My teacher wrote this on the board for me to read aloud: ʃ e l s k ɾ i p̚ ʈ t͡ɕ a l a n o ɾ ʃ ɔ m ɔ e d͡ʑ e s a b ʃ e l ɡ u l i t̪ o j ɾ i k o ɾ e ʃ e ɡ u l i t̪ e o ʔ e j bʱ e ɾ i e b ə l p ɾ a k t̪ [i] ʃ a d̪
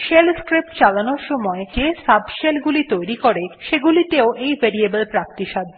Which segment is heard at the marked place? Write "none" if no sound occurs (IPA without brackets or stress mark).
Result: i